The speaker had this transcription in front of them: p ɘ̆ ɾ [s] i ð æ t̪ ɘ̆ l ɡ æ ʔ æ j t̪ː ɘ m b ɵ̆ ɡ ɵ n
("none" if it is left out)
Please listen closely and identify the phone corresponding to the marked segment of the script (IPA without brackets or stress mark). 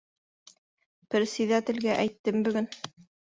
s